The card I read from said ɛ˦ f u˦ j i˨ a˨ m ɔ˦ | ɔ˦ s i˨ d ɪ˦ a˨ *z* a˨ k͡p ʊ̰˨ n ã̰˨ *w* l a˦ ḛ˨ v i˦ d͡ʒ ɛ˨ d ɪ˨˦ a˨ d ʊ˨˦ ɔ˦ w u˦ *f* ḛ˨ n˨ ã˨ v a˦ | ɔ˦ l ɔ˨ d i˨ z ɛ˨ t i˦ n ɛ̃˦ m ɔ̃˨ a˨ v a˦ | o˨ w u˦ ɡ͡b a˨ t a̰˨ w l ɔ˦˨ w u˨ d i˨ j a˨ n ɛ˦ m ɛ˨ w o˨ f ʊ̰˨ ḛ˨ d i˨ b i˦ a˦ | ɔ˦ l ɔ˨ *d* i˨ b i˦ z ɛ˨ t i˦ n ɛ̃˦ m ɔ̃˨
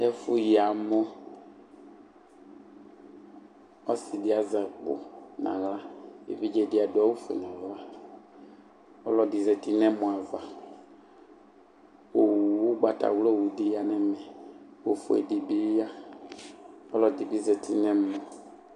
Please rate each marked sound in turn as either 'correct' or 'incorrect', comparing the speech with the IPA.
correct, incorrect: ɣ, correct, correct

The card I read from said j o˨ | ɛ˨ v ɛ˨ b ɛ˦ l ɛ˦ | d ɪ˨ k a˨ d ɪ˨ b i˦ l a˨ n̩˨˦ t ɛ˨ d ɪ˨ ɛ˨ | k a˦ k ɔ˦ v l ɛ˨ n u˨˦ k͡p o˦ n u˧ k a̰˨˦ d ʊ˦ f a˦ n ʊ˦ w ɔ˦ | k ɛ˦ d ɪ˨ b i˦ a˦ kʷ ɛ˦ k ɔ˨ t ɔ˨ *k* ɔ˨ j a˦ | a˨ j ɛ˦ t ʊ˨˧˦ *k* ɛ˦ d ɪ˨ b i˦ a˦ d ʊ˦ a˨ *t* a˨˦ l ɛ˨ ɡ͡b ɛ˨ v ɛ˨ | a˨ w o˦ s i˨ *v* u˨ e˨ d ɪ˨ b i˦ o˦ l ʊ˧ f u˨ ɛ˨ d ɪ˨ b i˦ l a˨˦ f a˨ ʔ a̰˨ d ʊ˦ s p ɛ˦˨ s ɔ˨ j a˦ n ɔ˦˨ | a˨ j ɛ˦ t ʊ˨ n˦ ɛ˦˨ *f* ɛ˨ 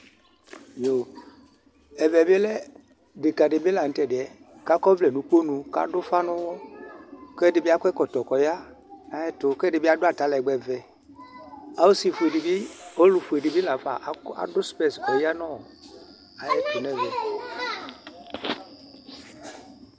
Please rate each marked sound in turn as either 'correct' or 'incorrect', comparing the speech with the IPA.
correct, correct, correct, incorrect: f, incorrect: v

